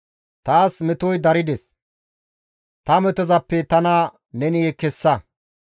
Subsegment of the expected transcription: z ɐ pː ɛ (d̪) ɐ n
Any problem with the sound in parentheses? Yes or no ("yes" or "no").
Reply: yes